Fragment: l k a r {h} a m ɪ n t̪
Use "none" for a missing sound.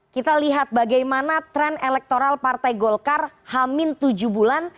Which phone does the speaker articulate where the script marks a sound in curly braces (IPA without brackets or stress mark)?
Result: h